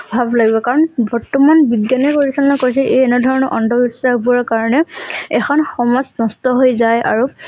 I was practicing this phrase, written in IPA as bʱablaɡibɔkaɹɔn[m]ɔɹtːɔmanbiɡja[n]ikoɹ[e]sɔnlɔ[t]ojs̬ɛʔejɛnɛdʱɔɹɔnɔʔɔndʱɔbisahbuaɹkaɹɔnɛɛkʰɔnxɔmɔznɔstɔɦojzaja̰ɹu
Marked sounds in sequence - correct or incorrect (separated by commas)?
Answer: incorrect, correct, incorrect, incorrect